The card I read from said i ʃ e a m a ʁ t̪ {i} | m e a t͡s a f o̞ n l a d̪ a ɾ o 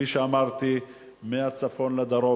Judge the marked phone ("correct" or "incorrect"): correct